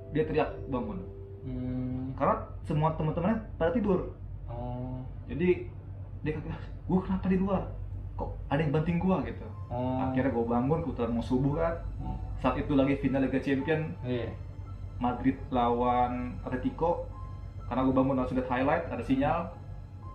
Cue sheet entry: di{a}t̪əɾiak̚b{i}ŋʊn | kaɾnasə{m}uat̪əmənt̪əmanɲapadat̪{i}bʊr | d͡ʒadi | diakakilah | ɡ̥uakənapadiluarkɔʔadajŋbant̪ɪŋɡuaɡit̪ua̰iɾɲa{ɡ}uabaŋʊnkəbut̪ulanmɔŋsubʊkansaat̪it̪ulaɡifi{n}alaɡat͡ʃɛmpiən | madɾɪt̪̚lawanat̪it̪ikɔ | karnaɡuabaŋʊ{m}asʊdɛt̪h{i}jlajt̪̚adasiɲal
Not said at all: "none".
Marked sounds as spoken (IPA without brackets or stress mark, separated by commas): a, a, m, i, ɡ, n, n, a